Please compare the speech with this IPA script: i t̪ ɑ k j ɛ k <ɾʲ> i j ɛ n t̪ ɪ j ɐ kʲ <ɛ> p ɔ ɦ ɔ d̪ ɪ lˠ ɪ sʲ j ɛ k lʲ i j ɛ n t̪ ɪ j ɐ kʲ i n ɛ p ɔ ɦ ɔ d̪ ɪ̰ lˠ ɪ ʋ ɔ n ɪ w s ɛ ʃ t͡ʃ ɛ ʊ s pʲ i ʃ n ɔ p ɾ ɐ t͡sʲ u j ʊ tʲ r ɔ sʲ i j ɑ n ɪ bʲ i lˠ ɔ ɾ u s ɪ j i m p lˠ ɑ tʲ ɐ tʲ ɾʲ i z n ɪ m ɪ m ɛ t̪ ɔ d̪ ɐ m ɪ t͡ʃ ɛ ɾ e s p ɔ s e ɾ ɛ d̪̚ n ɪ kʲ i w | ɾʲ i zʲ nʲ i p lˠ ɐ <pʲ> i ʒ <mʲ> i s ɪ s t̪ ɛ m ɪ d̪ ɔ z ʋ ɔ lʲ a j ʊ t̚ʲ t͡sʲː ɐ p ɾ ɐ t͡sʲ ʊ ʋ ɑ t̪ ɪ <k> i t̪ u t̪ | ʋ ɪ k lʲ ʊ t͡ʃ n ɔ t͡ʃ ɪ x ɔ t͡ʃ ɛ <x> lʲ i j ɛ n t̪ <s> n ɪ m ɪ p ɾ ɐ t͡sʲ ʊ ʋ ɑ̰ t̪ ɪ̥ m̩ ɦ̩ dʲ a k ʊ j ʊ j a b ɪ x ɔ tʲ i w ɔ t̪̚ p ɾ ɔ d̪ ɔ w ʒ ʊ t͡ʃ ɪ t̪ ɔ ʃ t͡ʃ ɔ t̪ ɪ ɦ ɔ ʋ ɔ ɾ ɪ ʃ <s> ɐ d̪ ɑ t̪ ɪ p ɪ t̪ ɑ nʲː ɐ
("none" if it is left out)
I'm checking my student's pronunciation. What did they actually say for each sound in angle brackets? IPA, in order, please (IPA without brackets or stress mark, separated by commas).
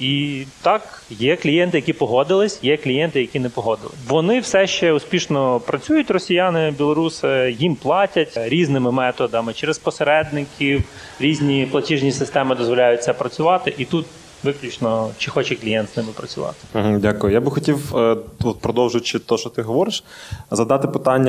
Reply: lʲ, i, tʲ, nʲ, ʔ, k, s, z